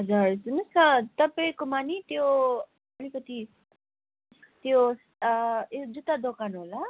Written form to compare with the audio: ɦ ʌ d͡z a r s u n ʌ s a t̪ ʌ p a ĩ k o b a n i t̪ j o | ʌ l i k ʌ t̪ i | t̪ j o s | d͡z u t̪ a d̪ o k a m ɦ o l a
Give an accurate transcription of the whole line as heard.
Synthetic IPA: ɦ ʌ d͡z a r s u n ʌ s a t̪ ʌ p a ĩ k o m a n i t̪ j o | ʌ l i k ʌ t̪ i | t̪ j o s | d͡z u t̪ a d̪ o k a n ɦ o l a

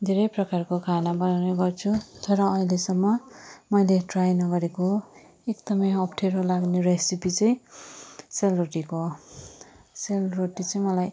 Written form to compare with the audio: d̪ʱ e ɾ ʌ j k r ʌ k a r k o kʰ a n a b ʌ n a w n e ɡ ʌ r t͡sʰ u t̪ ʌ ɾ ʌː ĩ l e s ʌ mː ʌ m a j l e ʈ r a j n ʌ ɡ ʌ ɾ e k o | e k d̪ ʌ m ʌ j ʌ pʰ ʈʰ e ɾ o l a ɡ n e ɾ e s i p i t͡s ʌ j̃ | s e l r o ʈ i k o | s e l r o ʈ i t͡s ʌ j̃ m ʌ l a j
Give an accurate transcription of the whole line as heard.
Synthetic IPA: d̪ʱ e ɾ ʌ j p r ʌ k a r k o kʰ a n a b ʌ n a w n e ɡ ʌ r t͡sʰ u t̪ ʌ ɾ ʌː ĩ l e s ʌ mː ʌ m ʌ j l e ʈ r a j n ʌ ɡ ʌ ɾ e k o | e k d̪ ʌ m ʌ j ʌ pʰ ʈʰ e ɾ o l a ɡ n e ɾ e s i p i t͡s ʌ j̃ | s e l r o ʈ i k o | s e l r o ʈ i t͡s ʌ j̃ m ʌ l a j

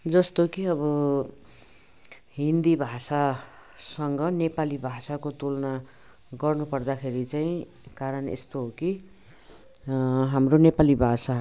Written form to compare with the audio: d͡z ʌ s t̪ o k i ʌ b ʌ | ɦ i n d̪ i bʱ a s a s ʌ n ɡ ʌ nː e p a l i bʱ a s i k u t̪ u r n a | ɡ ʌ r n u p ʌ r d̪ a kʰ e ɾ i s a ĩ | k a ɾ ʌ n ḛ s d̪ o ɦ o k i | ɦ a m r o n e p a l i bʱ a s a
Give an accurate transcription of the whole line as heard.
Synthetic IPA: d͡z ʌ s t̪ o k i ʌ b ʌ | ɦ i n d̪ i bʱ a s a s ʌ ŋ ɡ ʌ n e p a l i bʱ a s a k o t̪ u l n a | ɡ ʌ r n u p ʌ r d̪ a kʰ e ɾ i t͡s a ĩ | k a ɾ ʌ n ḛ s t̪ o ɦ o k i | ɦ a m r o n e p a l i bʱ a s a

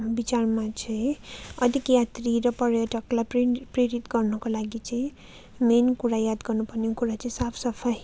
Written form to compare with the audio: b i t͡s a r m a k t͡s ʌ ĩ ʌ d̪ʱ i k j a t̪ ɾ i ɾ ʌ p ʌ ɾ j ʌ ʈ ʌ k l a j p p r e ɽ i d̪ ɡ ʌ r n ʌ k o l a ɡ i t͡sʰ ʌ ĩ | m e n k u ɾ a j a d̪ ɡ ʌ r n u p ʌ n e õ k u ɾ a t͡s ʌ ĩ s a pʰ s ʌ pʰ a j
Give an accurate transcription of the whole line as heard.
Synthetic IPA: b i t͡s a r m a t͡s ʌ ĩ ʌ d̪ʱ i k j a t̪ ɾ i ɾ ʌ p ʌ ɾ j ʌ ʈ ʌ k l a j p p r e ɾ i t̪ ɡ ʌ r n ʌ k o l a ɡ i t͡s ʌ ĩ | m e n k u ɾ a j a d̪ ɡ ʌ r n u p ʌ n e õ k u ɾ a t͡s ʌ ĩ s a pʰ s ʌ pʰ a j

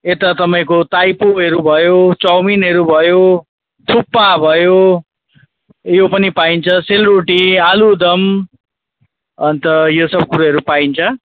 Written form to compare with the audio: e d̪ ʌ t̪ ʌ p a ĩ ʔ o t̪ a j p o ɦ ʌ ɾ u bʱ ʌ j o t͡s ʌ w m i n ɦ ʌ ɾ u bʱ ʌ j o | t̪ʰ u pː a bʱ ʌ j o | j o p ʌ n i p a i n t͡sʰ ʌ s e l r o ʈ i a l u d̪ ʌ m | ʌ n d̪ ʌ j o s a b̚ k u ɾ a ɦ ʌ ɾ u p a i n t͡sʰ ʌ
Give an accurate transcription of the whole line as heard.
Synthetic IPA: e t̪ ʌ t̪ ʌ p a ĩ k o t̪ a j p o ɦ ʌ ɾ u bʱ ʌ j o t͡s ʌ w m i n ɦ ʌ ɾ u bʱ ʌ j o | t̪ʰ u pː a bʱ ʌ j o | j o p ʌ n i p a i n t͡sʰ ʌ s e l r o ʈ i a l u d̪ ʌ m | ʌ n t̪ ʌ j o s ʌ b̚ k u ɾ a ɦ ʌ ɾ u p a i n t͡sʰ ʌ

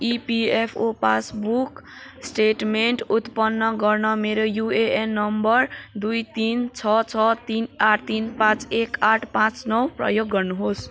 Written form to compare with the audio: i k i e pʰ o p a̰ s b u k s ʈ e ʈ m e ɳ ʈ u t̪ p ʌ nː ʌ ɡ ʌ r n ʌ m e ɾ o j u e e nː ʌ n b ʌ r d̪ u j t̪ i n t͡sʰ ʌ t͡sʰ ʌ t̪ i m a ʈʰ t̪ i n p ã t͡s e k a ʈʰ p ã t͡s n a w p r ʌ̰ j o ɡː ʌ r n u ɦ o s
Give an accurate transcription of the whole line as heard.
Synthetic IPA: i p i e pʰ o p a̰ s b u k s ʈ e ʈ m e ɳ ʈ u t̪ p ʌ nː ʌ ɡ ʌ r n ʌ m e ɾ o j u e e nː ʌ m b ʌ r d̪ u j t̪ i n t͡sʰ ʌ t͡sʰ ʌ t̪ i n a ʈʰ t̪ i n p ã t͡s e k a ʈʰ p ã t͡s n ʌ w p r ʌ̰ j o ɡː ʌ r n u ɦ o s

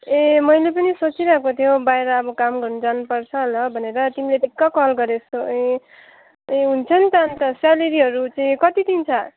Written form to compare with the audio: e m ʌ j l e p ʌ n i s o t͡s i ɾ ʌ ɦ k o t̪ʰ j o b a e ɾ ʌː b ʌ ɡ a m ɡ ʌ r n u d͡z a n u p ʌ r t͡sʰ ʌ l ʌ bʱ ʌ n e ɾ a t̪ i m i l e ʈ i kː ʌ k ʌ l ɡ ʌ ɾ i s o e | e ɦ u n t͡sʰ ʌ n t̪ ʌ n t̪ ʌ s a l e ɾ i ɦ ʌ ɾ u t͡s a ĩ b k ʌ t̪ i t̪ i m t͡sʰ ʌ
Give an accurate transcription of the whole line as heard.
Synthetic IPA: e m ʌ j l e p ʌ n i s o t͡s i ɾ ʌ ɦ k o t̪ʰ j o b a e ɾ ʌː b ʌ k a m ɡ ʌ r n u d͡z a n u p ʌ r t͡sʰ ʌ l ʌ bʱ ʌ n e ɾ ʌ t̪ i m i l e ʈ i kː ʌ k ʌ l ɡ ʌ ɾ e s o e | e ɦ u n t͡sʰ ʌ n t̪ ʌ n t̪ ʌ s a l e ɾ i ɦ ʌ ɾ u t͡s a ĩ k ʌ t̪ i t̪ i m t͡sʰ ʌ

